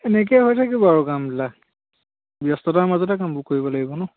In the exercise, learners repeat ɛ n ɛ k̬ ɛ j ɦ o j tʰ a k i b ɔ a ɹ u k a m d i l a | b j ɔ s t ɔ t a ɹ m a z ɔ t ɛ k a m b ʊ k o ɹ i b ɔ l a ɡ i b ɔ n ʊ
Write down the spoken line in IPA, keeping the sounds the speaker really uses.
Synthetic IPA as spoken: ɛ n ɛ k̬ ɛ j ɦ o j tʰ a k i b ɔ a ɹ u k a m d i l a | b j ɔ s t ɔ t a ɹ m a z ɔ t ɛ k a m b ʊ k o ɹ i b ɔ l a ɡ i b ɔ n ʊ